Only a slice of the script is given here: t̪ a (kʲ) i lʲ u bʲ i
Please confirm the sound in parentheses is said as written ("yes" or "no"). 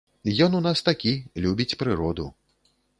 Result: yes